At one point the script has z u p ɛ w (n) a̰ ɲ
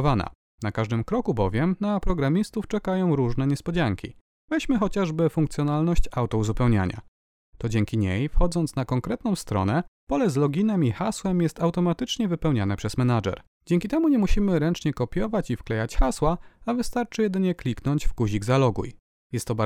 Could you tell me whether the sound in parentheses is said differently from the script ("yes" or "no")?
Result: yes